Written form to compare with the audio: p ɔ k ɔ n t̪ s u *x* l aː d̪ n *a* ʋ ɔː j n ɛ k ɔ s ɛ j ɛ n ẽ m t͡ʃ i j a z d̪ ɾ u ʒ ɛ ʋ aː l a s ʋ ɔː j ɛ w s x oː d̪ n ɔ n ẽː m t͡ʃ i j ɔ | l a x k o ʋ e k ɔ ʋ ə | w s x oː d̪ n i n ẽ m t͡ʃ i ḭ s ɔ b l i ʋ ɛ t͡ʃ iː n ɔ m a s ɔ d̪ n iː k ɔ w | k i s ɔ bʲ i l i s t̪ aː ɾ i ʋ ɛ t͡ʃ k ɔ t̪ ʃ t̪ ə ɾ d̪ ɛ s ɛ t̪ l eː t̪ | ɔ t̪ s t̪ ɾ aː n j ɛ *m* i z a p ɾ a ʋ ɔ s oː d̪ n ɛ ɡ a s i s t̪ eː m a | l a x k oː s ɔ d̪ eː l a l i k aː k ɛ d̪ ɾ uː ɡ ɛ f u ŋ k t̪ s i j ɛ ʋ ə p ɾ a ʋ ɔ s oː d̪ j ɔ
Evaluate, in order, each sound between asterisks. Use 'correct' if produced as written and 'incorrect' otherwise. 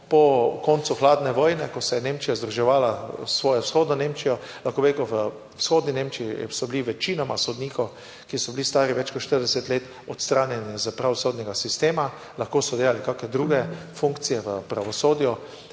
correct, incorrect, incorrect

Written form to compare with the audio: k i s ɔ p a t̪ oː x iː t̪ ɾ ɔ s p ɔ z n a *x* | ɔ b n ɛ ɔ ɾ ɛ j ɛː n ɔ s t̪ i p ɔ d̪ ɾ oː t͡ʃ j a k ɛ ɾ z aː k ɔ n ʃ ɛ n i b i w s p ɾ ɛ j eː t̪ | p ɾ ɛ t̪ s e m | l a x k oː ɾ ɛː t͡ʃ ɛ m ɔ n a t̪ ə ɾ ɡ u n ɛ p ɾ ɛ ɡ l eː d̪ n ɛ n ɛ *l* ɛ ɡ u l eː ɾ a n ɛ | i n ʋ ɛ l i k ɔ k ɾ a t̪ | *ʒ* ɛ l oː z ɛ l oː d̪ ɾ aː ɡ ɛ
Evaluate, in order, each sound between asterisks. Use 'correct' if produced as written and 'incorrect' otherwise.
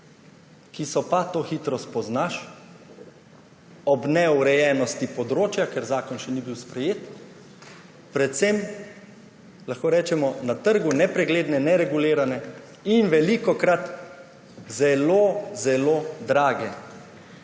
incorrect, incorrect, incorrect

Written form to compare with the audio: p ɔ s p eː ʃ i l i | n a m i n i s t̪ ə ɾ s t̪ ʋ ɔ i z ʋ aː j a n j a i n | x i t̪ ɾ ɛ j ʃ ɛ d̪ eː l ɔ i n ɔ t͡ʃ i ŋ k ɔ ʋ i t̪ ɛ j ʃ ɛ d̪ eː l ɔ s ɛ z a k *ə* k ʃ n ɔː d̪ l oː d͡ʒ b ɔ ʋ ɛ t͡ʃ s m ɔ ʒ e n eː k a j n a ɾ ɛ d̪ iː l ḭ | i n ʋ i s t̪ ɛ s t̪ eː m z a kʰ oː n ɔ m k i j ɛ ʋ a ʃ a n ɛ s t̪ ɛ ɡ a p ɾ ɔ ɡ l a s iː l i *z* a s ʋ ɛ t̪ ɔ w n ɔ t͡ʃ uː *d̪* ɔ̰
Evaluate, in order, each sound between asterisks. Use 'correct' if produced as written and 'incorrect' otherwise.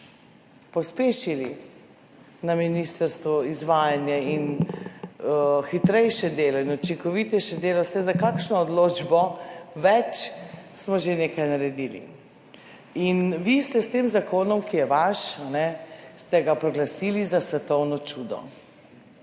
incorrect, correct, correct

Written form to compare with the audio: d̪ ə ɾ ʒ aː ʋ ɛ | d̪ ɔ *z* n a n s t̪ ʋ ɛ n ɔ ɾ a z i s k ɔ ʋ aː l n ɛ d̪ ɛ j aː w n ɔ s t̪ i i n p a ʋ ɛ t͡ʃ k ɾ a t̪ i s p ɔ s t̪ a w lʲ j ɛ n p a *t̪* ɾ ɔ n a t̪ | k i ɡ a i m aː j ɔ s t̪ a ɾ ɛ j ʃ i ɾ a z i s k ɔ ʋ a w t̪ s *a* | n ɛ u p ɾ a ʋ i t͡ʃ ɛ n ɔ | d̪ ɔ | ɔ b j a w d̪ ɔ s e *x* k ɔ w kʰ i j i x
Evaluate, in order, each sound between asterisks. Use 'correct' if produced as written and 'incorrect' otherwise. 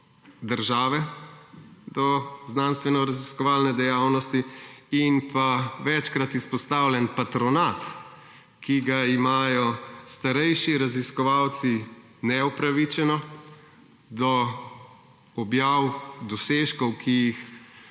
correct, correct, incorrect, incorrect

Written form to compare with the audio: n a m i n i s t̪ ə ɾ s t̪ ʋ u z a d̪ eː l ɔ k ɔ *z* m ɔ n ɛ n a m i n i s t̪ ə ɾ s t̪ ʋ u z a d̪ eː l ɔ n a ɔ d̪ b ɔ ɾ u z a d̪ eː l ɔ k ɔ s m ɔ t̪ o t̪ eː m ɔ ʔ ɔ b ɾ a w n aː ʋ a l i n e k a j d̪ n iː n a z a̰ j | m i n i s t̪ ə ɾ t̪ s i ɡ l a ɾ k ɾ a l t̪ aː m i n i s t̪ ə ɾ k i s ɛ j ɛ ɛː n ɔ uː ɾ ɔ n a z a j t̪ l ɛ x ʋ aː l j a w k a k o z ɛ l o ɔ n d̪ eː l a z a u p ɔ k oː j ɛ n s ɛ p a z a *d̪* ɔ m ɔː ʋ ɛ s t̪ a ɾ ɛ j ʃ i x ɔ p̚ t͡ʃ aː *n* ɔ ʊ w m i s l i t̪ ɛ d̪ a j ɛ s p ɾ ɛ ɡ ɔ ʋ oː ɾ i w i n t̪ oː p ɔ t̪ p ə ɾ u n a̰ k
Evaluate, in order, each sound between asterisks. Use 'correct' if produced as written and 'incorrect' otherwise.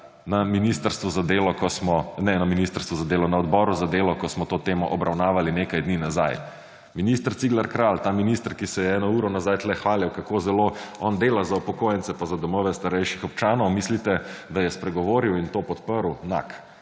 incorrect, correct, correct

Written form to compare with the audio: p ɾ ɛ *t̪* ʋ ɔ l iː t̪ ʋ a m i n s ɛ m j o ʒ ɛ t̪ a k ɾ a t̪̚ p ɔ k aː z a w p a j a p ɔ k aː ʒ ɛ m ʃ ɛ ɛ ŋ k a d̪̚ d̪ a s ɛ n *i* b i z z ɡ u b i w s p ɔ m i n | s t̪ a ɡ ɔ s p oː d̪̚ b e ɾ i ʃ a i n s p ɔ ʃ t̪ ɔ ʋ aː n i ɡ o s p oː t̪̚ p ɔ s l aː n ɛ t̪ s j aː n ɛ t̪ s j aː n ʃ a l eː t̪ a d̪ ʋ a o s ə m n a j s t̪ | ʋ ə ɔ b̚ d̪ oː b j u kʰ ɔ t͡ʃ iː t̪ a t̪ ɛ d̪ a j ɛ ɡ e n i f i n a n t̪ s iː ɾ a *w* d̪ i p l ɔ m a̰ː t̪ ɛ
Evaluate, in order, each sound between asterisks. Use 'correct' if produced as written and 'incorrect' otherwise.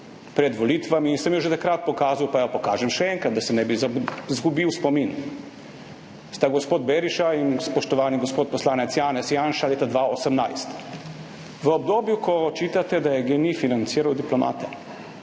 incorrect, incorrect, correct

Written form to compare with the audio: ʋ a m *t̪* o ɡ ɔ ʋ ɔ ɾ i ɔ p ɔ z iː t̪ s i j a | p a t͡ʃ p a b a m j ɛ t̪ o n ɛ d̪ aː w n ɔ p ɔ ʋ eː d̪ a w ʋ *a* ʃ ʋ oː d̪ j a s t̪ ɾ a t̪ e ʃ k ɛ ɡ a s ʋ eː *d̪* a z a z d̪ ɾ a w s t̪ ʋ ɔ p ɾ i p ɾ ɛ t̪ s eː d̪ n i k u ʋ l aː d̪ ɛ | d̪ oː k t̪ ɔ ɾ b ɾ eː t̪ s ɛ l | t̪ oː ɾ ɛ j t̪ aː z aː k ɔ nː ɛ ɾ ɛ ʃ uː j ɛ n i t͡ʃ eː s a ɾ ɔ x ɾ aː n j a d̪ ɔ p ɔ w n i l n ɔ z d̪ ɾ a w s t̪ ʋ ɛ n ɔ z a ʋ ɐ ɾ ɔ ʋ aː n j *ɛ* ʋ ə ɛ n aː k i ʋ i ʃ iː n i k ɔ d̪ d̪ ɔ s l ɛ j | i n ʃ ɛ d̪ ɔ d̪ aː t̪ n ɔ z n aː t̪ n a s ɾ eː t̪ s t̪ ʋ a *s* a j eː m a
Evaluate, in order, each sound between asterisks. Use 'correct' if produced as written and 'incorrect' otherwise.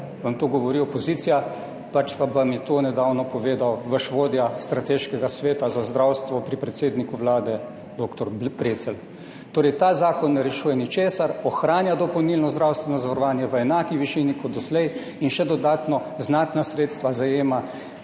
correct, incorrect, incorrect, correct, incorrect

